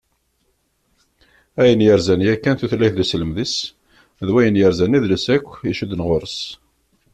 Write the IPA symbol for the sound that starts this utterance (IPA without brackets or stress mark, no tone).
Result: æ